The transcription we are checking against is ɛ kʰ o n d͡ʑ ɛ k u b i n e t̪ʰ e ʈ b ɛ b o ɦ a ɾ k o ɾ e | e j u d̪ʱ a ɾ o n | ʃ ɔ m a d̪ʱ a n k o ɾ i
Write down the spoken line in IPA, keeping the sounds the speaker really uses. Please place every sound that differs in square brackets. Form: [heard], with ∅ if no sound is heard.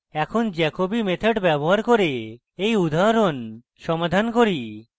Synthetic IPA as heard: ɛ kʰ o n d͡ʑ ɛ k [o] b i [m] e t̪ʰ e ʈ b ɛ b o ɦ a ɾ k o ɾ e | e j u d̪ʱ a ɾ o n | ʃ ɔ m a d̪ʱ a n k o ɾ i